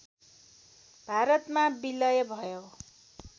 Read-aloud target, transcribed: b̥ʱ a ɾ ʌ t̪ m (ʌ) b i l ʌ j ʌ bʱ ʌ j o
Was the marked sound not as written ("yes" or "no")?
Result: yes